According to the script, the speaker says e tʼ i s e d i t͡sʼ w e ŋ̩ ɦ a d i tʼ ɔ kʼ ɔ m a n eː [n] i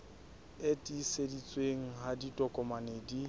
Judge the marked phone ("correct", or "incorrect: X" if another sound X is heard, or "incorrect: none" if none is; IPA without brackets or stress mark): incorrect: d